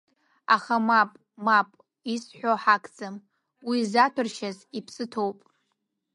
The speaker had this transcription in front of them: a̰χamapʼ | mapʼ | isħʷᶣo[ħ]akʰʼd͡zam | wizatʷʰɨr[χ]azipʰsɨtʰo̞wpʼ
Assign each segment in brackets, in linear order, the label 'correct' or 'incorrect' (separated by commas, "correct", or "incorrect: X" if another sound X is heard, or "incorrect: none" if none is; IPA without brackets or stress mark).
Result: correct, incorrect: ʃ